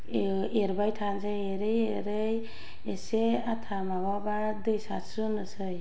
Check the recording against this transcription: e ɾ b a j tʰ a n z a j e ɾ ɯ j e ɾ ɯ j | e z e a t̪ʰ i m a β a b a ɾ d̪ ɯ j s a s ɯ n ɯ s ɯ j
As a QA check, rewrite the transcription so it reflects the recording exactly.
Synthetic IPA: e ɾ b a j tʰ a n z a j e ɾ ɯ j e ɾ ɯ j | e s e a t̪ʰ a m a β a b a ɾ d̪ ɯ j s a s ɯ n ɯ s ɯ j